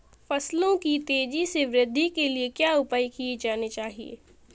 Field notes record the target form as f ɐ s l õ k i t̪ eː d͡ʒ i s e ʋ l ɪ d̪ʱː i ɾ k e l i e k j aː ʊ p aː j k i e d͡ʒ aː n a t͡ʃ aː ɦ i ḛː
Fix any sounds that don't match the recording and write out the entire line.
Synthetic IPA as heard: f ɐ s l õ k i t̪ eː d͡ʒ i s e ʋ ɾ ɪ d̪ʱː i k e l i e k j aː ʊ p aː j k i e d͡ʒ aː n e t͡ʃ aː ɦ i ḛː